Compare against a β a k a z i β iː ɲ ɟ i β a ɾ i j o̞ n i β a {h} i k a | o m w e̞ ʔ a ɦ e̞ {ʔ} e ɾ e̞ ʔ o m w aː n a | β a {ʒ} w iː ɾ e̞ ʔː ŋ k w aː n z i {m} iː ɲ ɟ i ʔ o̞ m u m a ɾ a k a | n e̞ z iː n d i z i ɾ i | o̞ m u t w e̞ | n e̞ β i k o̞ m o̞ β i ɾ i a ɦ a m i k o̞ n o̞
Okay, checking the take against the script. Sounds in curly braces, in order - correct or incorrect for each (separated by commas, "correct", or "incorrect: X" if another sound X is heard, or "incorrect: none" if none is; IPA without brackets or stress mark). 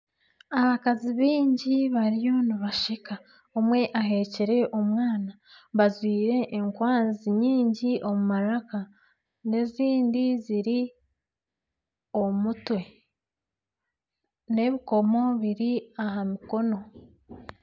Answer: incorrect: ʃ, incorrect: c, incorrect: z, incorrect: ɲ